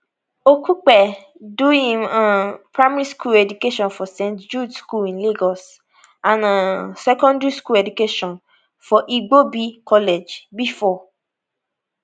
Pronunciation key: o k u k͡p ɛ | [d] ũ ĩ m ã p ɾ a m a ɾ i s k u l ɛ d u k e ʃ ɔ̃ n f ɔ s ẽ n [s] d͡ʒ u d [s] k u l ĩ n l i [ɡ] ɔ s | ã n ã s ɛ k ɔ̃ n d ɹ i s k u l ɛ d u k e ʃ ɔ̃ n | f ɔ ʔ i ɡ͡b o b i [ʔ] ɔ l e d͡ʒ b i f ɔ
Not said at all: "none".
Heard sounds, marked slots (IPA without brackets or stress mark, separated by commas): d, t, s, ɡ, k